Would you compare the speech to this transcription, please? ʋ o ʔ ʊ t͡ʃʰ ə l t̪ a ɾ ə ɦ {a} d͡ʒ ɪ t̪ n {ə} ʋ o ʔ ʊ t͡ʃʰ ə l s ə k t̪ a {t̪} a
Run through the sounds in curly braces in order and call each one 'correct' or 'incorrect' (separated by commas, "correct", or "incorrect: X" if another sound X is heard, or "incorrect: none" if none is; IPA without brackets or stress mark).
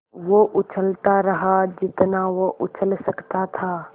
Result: correct, incorrect: a, incorrect: t̪ʰ